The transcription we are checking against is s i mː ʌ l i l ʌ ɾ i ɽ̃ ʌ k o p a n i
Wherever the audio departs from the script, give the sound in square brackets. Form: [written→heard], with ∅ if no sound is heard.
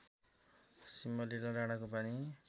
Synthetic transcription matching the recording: s i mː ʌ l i l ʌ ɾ [i→a] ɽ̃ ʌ k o p a n i